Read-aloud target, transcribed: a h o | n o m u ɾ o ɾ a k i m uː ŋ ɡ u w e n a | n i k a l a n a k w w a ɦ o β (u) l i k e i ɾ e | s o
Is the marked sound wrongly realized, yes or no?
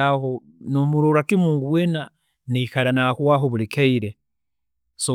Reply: no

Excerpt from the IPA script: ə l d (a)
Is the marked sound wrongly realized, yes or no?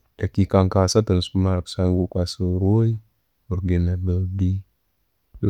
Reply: yes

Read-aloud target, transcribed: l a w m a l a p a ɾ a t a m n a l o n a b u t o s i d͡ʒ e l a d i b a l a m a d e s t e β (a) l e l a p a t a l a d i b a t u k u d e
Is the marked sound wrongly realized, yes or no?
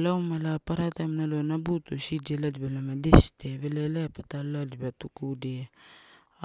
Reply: yes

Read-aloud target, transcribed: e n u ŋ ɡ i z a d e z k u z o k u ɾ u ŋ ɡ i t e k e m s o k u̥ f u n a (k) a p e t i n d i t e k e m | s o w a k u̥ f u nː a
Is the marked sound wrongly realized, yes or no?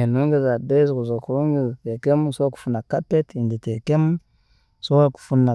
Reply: no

